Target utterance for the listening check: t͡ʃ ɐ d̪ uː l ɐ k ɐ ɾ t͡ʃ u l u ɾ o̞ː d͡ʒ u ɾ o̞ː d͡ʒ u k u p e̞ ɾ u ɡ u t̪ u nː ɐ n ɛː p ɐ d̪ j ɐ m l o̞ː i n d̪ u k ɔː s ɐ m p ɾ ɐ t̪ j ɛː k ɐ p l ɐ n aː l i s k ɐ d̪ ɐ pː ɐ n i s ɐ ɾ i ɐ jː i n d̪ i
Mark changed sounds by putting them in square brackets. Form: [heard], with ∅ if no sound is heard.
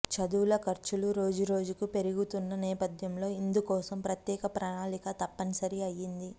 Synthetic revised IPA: t͡ʃ ɐ d̪ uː l ɐ k ɐ ɾ t͡ʃ u l u ɾ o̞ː d͡ʒ u ɾ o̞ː d͡ʒ u k u p e̞ ɾ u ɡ u t̪ u nː ɐ n ɛː p ɐ d̪ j ɐ m l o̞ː i n d̪ u k ɔː s ɐ m p ɾ ɐ t̪ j ɛː k ɐ p [ɾ] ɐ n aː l i [∅] k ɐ [t̪] ɐ pː ɐ n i s ɐ ɾ i ɐ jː i n d̪ i